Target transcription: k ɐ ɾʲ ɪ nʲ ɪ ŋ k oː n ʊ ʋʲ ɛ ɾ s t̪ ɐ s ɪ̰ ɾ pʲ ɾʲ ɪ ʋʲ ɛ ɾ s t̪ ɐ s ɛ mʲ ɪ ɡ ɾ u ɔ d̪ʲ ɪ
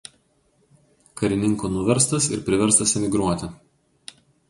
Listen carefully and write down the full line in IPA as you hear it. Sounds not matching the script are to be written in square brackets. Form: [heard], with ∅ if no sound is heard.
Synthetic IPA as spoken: k ɐ ɾʲ ɪ nʲ ɪ ŋ k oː n ʊ ʋʲ ɛ ɾ s t̪ ɐ s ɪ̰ ɾ pʲ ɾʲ ɪ ʋʲ ɛ ɾ s t̪ ɐ s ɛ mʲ ɪ ɡ ɾ u ɔ [t̪ʲ] ɪ

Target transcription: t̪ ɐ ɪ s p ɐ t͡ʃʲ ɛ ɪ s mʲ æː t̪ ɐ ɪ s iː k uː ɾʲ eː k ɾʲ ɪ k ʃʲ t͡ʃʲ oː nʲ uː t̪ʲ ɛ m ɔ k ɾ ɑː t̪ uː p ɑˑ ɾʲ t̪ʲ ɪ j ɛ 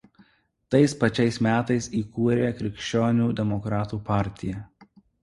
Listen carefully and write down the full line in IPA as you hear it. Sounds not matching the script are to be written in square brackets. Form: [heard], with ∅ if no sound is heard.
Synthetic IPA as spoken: t̪ ɐ ɪ s p ɐ t͡ʃʲ ɛ ɪ s mʲ æː t̪ ɐ ɪ s iː k uː ɾʲ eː k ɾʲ ɪ k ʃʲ t͡ʃʲ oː nʲ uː [d̪ʲ] ɛ m ɔ k ɾ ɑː t̪ uː p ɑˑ ɾʲ t̪ʲ ɪ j ɛ

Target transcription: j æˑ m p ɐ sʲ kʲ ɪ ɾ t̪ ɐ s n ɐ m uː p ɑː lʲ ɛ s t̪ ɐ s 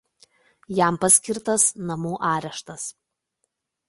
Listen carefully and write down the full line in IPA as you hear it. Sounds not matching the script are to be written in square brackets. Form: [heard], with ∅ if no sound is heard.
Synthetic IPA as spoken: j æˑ m p ɐ sʲ kʲ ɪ ɾ t̪ ɐ s n ɐ m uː [ʔ] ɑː [ɾʲ] ɛ [ʃ] t̪ ɐ s

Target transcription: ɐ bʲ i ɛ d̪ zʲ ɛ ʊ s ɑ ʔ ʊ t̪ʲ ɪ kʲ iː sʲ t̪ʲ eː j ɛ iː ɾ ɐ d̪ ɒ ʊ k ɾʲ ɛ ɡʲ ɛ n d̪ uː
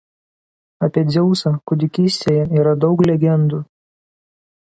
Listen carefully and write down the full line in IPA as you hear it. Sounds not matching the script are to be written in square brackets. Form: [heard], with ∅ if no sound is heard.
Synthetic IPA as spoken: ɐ [pʲ] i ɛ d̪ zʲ ɛ ʊ s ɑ [k] ʊ [d̪ʲ] ɪ kʲ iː sʲ t̪ʲ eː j ɛ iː ɾ ɐ d̪ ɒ ʊ k [lʲ] ɛ ɡʲ ɛ n d̪ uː

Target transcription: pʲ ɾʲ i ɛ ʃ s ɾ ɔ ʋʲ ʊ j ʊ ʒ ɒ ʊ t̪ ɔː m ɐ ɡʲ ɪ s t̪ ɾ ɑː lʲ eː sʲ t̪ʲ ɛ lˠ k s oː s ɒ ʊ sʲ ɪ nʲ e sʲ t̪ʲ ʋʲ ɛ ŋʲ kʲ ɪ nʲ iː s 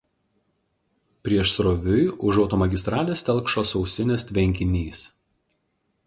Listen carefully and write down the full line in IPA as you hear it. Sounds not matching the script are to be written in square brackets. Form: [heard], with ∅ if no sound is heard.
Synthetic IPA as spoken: pʲ ɾʲ i ɛ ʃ s ɾ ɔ ʋʲ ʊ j ʊ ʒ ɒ ʊ t̪ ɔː m ɐ ɡʲ ɪ s t̪ ɾ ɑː lʲ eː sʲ t̪ʲ ɛ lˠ k [ʃ] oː s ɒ ʊ sʲ ɪ nʲ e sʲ t̪ʲ ʋʲ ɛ ŋʲ kʲ ɪ nʲ iː s

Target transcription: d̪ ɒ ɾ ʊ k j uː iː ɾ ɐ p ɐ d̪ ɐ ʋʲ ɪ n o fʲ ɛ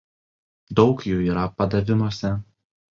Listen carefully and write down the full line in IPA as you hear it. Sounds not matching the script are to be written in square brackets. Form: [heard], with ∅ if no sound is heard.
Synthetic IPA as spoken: d̪ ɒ [∅] ʊ k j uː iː ɾ ɐ p ɐ d̪ ɐ ʋʲ ɪ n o [sʲ] ɛ

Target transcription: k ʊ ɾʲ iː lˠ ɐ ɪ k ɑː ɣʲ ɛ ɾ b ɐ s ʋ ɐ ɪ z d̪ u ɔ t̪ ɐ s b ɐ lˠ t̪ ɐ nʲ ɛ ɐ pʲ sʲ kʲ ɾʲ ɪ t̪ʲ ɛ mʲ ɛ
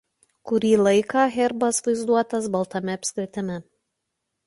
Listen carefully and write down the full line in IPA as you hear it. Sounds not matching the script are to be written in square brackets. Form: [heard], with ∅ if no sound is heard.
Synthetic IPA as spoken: k ʊ ɾʲ iː lˠ ɐ ɪ k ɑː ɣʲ ɛ ɾ b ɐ s ʋ ɐ ɪ z d̪ u ɔ t̪ ɐ s b ɐ lˠ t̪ ɐ [mʲ] ɛ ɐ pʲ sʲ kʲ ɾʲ ɪ t̪ʲ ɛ mʲ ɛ

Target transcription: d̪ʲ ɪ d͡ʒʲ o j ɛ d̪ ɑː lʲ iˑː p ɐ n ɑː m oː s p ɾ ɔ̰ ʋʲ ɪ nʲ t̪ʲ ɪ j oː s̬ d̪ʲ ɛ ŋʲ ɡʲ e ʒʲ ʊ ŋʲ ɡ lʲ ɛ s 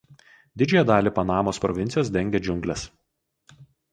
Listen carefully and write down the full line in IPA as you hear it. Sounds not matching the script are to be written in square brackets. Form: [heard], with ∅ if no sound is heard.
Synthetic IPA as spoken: d̪ʲ ɪ d͡ʒʲ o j ɛ d̪ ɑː lʲ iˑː p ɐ n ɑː m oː s p ɾ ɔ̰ ʋʲ ɪ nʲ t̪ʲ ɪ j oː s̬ d̪ʲ ɛ ŋʲ ɡʲ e [d͡ʒʲ] ʊ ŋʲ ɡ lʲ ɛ s

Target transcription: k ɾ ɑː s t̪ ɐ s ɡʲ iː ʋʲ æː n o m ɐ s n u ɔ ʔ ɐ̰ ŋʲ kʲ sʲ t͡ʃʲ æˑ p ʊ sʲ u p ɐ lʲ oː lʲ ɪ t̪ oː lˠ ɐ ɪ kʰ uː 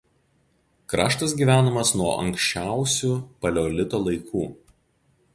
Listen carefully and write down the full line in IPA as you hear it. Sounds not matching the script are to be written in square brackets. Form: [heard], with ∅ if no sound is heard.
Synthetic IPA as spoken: k ɾ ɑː [ʃ] t̪ ɐ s ɡʲ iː ʋʲ æː n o m ɐ s n u ɔ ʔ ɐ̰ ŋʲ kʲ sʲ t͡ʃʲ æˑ [∅] ʊ sʲ u p ɐ lʲ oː lʲ ɪ t̪ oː lˠ ɐ ɪ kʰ uː

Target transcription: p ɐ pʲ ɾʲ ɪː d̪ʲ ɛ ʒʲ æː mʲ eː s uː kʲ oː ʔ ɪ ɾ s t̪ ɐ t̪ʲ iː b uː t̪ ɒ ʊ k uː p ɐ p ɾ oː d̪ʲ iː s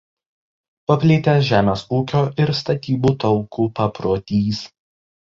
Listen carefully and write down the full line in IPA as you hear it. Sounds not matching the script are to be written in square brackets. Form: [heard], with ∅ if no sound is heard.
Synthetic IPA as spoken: p ɐ pʲ [lʲ] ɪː [t̪ʲ] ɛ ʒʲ æː mʲ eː s uː kʲ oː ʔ ɪ ɾ s t̪ ɐ t̪ʲ iː b uː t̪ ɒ ʊ k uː p ɐ p ɾ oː [t̪ʲ] iː s

